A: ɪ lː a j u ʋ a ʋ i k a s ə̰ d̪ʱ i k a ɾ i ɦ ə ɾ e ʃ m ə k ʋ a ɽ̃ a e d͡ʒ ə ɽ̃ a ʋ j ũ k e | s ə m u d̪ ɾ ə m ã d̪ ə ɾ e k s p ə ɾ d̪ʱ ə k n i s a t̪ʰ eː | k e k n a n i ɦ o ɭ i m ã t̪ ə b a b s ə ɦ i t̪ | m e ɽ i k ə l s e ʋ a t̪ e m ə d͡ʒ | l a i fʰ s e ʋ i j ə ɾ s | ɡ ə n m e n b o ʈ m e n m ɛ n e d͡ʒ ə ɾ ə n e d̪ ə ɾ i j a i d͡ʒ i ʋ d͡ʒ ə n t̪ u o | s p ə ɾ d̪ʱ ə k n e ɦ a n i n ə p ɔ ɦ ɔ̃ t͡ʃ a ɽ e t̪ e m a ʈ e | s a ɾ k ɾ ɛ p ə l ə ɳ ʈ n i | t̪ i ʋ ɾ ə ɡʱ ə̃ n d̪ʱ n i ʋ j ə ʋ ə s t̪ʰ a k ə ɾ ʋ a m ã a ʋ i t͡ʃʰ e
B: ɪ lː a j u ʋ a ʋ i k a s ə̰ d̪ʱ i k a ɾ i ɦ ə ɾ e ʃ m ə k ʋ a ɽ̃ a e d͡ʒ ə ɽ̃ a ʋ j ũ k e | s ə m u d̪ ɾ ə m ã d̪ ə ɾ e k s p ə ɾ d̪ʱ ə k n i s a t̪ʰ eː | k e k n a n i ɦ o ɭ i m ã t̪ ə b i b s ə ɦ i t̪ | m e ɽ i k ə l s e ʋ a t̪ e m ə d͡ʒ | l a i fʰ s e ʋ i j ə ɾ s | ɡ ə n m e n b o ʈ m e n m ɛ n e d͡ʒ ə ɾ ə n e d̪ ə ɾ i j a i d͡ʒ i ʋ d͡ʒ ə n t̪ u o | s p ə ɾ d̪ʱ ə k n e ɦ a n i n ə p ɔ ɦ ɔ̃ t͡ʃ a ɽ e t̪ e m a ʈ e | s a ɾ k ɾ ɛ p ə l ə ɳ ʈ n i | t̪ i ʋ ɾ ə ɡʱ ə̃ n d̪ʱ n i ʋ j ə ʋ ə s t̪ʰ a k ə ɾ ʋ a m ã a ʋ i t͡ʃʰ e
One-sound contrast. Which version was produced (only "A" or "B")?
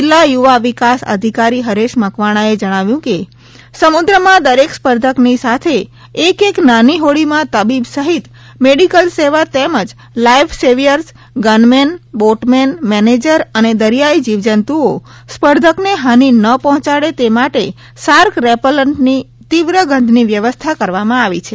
B